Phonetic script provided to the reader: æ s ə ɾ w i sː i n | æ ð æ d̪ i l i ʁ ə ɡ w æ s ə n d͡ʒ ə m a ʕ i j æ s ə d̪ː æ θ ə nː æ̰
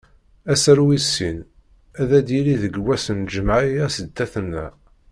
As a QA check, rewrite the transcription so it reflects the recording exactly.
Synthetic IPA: æ s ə ɾ w i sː i n | æ ð æ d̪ i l i ð ə ɡ w æ s ə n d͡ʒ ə m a ʕ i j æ s ə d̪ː æ θ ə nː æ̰